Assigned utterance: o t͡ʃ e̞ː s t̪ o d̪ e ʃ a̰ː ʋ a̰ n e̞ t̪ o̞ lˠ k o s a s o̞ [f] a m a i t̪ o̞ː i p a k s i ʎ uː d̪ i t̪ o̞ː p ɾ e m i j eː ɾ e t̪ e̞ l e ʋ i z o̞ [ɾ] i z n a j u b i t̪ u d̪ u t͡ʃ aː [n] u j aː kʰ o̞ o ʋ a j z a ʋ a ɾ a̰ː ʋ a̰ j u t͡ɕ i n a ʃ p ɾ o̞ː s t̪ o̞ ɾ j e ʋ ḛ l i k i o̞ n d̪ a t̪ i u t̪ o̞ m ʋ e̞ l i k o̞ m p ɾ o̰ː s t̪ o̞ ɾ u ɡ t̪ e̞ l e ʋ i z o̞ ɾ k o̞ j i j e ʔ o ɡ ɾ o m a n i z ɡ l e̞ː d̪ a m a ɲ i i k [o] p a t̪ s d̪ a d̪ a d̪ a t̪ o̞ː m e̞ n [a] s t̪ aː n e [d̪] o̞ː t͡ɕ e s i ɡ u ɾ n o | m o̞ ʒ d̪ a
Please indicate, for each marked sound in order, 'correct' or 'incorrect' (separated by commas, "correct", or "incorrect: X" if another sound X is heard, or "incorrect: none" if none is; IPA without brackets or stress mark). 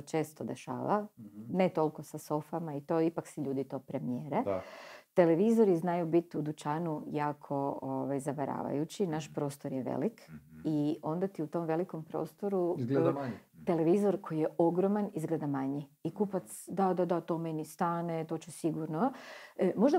correct, correct, correct, incorrect: u, incorrect: i, incorrect: t̪